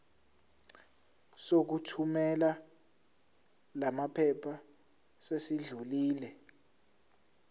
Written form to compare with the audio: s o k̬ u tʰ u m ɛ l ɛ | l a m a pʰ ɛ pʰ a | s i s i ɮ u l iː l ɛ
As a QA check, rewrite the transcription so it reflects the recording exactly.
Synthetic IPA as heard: s o k̬ u tʰ u m ɛ l a | l a m a pʰ ɛ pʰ a | s e s i ɮ u l iː l ɛ